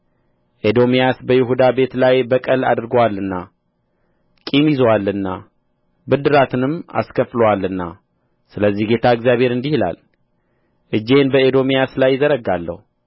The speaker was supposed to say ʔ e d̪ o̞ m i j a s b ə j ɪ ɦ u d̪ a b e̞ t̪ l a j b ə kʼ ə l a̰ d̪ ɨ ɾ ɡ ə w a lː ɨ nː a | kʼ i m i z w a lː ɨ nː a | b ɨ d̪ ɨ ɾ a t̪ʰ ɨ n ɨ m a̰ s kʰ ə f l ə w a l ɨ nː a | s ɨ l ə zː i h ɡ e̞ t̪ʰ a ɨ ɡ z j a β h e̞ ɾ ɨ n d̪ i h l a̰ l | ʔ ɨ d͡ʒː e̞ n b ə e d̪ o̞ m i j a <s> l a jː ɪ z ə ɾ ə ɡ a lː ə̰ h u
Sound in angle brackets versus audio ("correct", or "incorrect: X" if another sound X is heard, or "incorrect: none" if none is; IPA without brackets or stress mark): correct